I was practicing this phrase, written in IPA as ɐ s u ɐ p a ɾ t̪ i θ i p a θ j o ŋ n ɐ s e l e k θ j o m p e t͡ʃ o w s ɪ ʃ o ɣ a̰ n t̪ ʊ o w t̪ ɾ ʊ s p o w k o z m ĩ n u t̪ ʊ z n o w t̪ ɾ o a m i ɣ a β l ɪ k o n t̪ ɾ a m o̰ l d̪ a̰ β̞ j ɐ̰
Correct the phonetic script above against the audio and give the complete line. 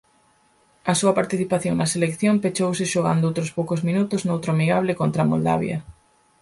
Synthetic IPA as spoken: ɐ s u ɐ p a ɾ t̪ i θ i p a θ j o ŋ n ɐ s e l e k θ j o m p e t͡ʃ o w s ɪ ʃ o ɣ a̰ n d̪ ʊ o w t̪ ɾ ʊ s p o w k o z m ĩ n u t̪ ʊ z n o w t̪ ɾ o a m i ɣ a β l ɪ k o n t̪ ɾ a m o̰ l d̪ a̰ β̞ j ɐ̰